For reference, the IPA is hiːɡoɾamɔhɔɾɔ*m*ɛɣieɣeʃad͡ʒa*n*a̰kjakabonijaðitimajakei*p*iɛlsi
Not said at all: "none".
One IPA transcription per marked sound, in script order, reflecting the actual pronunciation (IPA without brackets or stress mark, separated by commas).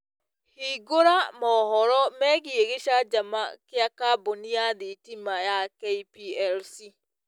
m, m, p